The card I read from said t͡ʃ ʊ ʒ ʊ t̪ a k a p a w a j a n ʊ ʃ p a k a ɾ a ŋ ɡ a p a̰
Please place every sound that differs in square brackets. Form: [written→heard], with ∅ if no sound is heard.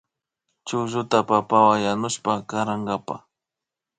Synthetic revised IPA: t͡ʃ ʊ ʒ ʊ t̪ a [k→p] a p a w a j a n ʊ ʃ p a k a ɾ a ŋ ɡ a p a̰